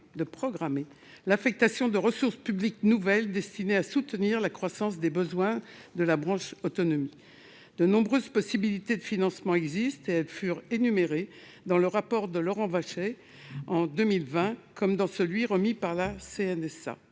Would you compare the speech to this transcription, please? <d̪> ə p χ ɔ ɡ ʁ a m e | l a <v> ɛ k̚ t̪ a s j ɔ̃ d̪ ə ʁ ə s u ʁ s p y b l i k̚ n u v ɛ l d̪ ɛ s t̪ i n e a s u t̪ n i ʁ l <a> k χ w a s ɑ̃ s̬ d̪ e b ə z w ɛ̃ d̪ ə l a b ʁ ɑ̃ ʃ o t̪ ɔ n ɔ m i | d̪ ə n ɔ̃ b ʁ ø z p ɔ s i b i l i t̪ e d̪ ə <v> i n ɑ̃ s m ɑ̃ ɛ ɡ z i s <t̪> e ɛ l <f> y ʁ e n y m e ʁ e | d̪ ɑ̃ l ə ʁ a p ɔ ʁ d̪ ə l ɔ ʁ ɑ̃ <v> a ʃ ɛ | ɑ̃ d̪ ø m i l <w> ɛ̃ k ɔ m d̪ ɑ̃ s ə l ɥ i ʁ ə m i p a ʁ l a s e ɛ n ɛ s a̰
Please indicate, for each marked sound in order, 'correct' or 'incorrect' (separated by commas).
correct, incorrect, correct, incorrect, correct, correct, correct, incorrect